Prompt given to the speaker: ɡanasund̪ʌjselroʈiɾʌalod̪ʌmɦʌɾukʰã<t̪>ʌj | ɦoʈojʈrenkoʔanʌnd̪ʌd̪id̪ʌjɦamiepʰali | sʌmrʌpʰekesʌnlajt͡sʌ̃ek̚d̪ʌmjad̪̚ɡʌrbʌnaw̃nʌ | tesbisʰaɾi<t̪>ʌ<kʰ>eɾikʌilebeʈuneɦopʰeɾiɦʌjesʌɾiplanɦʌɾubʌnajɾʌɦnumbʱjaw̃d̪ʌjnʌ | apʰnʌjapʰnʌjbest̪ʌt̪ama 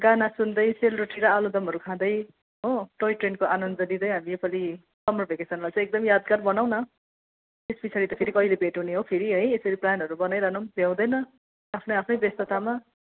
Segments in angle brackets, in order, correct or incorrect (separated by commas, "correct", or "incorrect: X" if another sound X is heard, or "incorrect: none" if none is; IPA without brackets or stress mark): incorrect: d̪, correct, incorrect: pʰ